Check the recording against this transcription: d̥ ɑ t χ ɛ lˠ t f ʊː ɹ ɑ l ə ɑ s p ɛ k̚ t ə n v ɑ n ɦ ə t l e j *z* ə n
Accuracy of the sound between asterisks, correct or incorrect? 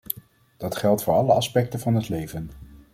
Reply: incorrect: v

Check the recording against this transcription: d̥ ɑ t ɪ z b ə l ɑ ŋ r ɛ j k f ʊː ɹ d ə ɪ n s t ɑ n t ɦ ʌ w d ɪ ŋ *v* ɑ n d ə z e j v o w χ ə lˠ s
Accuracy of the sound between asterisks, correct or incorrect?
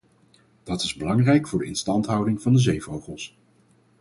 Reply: correct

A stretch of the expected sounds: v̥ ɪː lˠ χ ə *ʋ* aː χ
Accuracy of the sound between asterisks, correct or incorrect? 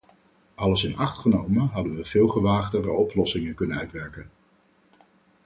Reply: correct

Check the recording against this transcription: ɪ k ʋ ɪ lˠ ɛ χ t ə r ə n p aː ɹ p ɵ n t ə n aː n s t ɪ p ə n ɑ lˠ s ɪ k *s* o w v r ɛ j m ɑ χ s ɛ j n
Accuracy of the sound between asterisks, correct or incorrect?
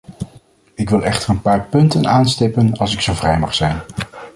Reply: correct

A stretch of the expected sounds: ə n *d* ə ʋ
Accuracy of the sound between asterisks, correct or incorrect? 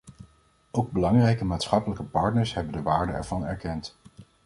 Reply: correct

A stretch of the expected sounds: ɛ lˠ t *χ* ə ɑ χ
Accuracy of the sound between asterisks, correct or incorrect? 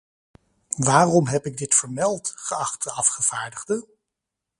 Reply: correct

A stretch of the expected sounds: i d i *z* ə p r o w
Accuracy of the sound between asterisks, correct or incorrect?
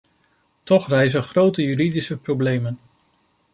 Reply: incorrect: s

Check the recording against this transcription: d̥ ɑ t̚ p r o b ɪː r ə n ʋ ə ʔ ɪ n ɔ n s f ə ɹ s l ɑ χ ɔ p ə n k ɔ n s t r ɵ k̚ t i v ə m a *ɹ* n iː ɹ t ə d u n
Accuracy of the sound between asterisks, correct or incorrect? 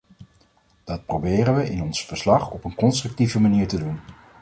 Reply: incorrect: none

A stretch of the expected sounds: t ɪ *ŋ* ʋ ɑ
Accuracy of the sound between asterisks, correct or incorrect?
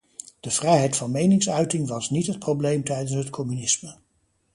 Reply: correct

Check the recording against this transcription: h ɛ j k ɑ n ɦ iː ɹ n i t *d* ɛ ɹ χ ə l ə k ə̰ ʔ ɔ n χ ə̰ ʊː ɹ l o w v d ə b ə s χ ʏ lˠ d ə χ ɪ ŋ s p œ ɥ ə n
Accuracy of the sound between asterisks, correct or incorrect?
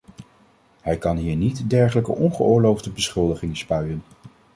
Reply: correct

